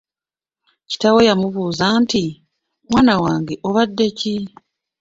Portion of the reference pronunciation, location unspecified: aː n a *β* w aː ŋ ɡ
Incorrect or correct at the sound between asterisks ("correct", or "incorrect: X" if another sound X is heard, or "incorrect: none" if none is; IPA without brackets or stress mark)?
incorrect: none